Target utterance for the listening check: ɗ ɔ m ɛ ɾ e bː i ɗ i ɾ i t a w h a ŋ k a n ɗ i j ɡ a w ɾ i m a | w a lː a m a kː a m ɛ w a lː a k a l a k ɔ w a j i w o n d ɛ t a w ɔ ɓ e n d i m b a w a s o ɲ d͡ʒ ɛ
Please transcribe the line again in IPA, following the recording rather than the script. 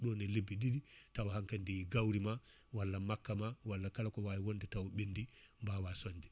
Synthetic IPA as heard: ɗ ɔ n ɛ l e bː i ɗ i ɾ i t a w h a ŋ k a n d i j ɡ a w ɾ i m a | w a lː a m a kː a m a w a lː a k a l a k ɔ w a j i w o n d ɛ t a w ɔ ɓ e n d i m b a w a s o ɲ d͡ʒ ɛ